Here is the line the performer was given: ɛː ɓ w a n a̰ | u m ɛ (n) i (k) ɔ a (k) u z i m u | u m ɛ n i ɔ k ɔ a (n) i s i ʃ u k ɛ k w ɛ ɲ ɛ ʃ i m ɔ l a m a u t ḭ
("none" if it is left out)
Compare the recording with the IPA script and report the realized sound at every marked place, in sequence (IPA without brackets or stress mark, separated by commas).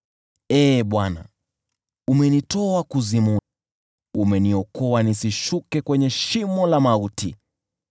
n, t, k, n